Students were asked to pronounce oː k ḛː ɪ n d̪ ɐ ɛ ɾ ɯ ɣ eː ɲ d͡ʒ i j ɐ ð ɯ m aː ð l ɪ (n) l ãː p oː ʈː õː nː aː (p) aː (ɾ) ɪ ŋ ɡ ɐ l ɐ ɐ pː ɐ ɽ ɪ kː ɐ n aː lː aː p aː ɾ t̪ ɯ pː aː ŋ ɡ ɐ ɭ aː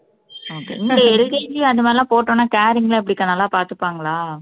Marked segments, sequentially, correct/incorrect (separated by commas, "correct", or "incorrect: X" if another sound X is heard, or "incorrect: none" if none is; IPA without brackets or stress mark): incorrect: none, incorrect: k, correct